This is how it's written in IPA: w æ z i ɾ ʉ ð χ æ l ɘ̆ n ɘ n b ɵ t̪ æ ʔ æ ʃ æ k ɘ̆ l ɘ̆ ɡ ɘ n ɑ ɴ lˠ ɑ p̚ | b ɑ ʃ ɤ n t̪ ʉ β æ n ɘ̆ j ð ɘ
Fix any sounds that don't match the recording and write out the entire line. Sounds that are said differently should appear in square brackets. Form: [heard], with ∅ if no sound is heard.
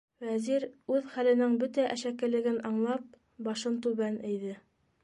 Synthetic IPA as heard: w æ z i ɾ ʉ ð χ æ l ɘ̆ n ɘ [ŋ] b ɵ t̪ æ ʔ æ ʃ æ k ɘ̆ l ɘ̆ ɡ ɘ n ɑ ɴ lˠ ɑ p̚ | b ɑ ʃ ɤ n t̪ ʉ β æ n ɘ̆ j ð ɘ